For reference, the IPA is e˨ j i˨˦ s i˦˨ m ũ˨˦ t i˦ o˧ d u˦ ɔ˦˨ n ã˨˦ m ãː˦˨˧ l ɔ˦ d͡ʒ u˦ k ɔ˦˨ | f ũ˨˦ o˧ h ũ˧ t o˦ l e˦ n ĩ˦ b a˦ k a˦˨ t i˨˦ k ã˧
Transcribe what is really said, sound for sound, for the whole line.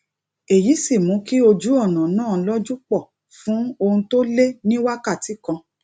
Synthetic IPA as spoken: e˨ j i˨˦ s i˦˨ m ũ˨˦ k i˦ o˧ d͡ʒ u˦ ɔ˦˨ n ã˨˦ n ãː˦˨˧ l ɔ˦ d͡ʒ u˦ k͡p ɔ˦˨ | f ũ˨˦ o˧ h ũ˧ t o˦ l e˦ n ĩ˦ w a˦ k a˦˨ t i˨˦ k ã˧